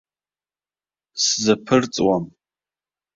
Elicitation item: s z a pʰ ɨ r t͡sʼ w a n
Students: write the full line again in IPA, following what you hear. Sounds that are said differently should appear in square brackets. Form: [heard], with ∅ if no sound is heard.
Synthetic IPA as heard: s z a pʰ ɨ r t͡sʼ w a [m]